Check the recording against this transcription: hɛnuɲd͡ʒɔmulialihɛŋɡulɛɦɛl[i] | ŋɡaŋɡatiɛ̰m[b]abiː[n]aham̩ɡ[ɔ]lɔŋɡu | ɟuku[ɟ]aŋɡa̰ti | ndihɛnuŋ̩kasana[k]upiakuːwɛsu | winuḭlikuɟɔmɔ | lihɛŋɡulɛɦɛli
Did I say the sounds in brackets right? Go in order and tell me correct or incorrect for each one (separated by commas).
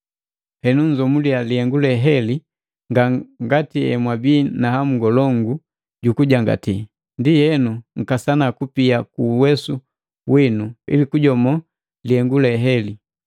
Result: correct, incorrect, correct, correct, correct, correct